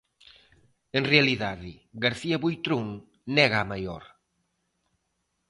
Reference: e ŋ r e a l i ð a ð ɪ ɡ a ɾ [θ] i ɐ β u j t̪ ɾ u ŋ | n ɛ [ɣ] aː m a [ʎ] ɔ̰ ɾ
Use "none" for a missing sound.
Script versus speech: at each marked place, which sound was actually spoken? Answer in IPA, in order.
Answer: θ, ɣ, j

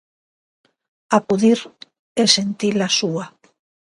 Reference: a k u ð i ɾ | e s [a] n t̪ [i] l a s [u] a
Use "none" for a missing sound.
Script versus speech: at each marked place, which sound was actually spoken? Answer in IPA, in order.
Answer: e, i, u

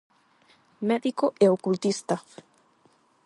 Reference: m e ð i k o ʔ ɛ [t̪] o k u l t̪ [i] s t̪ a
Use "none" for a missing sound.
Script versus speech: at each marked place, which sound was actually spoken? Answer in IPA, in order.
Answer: none, i

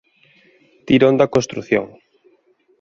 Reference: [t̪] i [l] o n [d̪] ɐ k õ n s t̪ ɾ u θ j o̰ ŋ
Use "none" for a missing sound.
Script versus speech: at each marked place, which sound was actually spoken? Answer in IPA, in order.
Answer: t̪, ɾ, d̪

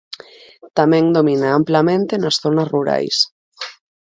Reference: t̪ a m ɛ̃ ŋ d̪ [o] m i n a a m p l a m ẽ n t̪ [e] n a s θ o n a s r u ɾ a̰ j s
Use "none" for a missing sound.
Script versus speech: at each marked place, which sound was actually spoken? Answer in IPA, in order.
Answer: o, e

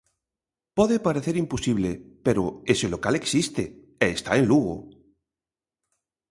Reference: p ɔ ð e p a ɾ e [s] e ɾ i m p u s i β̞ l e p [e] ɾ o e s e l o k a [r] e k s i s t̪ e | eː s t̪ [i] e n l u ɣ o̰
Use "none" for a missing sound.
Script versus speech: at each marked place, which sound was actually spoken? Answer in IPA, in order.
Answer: θ, e, l, a

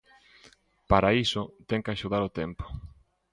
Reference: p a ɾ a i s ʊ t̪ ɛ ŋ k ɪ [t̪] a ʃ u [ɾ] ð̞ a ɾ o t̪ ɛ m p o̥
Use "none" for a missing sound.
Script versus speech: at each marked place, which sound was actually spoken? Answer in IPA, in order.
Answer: none, none

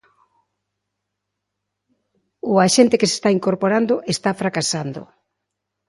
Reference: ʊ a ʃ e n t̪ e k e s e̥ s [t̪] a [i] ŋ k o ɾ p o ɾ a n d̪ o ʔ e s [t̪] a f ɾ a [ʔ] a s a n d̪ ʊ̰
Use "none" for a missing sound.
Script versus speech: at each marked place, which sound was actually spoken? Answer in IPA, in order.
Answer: t̪, i, t̪, k

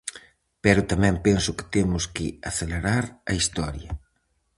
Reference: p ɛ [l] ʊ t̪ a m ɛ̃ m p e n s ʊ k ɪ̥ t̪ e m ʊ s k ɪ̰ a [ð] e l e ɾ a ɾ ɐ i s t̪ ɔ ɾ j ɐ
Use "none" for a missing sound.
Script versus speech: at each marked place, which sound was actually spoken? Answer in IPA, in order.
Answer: ɾ, θ

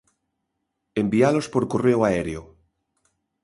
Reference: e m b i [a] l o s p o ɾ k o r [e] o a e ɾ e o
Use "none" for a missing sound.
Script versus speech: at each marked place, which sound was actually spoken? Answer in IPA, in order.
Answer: a, e

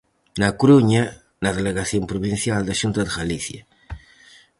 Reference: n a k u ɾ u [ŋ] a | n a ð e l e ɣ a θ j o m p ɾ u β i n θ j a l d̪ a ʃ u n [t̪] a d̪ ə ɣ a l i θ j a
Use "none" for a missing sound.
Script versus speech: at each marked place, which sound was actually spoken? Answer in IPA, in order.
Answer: ɲ, t̪

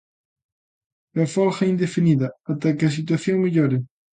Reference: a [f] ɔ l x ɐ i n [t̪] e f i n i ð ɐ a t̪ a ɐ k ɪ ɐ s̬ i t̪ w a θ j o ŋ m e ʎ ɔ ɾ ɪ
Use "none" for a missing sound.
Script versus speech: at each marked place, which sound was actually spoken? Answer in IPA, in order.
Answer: f, d̪

